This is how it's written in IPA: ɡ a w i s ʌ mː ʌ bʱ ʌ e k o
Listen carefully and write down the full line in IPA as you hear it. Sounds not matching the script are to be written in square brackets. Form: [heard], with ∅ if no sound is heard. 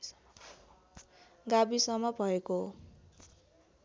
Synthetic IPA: ɡ a [b] i s ʌ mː ʌ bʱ ʌ e k o